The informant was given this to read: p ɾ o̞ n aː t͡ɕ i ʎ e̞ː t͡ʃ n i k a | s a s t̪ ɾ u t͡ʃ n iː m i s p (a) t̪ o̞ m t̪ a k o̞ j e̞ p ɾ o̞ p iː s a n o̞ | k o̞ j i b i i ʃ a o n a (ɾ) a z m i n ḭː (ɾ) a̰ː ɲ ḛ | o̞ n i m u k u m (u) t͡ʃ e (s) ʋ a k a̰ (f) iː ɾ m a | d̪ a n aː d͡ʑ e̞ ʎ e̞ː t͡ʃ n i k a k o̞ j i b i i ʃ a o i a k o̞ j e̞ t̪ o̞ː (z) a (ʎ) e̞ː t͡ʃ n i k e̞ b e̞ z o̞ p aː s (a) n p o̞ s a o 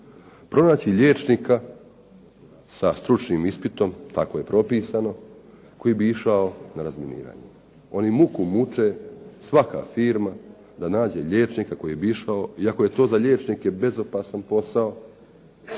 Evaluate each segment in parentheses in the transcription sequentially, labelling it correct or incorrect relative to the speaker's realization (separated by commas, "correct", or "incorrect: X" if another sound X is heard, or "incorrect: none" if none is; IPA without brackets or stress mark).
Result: incorrect: i, correct, correct, correct, correct, correct, correct, correct, correct